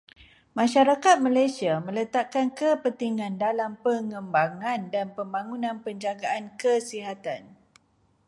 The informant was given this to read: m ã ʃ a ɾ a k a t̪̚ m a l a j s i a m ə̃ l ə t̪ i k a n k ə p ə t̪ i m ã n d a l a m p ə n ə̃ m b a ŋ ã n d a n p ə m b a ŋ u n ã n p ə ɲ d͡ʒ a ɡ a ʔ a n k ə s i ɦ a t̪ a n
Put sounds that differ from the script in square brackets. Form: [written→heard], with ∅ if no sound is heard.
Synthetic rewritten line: m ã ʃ a ɾ a k a t̪̚ m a l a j s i a m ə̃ l ə t̪ [i→a] k a n k ə p ə t̪ i [m→ŋ] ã n d a l a m p ə [n→ŋ] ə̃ m b a ŋ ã n d a n p ə m b a ŋ u n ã n p ə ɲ d͡ʒ a ɡ a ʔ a n k ə s i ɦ a t̪ a n